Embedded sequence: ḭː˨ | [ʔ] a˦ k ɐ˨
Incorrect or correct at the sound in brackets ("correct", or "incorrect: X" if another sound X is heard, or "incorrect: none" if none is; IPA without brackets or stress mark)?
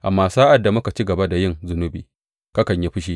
incorrect: k